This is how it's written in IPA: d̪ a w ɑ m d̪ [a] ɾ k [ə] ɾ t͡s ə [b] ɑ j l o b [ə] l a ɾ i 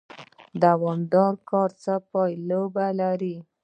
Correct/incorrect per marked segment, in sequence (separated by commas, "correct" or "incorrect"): incorrect, incorrect, incorrect, incorrect